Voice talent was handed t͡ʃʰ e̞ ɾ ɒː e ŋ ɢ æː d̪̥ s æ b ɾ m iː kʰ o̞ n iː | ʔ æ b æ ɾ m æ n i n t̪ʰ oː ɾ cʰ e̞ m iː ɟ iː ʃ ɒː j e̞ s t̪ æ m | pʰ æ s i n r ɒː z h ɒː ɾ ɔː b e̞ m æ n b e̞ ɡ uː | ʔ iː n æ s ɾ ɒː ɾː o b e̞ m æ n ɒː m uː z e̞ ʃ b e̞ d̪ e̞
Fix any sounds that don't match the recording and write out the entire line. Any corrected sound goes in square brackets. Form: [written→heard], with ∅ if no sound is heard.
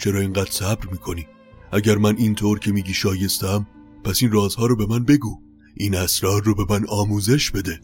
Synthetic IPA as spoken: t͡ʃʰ e̞ ɾ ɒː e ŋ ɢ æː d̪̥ s æ b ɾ m iː kʰ o̞ n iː | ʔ æ [b→ɟ] æ ɾ m æ n i n t̪ʰ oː ɾ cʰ e̞ m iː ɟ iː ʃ ɒː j e̞ s t̪ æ m | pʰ æ s i n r ɒː z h ɒː ɾ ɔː b e̞ m æ n b e̞ ɡ uː | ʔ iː n æ s ɾ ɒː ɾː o b e̞ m æ n ɒː m uː z e̞ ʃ b e̞ d̪ e̞